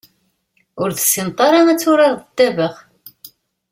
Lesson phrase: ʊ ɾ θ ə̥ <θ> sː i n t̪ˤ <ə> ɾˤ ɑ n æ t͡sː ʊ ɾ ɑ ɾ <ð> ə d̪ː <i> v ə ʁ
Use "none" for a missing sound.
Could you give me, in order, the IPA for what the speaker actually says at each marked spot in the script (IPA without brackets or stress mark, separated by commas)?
none, ɑ, ð, æ